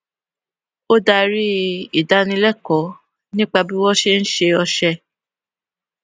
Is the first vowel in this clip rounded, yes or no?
yes